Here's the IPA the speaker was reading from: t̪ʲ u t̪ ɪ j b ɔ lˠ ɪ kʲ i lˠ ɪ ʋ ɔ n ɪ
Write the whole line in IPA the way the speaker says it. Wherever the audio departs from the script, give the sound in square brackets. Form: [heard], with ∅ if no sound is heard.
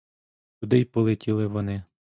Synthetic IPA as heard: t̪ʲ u [d̪] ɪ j [p] ɔ lˠ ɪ [tʲ] i lˠ ɪ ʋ ɔ n ɪ